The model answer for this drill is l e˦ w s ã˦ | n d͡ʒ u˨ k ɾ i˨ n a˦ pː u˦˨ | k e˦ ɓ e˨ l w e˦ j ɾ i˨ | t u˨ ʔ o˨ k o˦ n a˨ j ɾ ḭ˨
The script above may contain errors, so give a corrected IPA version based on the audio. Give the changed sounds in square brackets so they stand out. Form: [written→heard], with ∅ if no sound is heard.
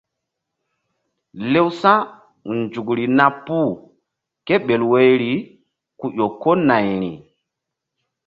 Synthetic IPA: l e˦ w s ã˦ | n d͡ʒ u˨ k ɾ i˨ n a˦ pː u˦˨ | k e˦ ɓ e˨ l w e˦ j ɾ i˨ | [t→k] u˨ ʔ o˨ k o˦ n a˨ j ɾ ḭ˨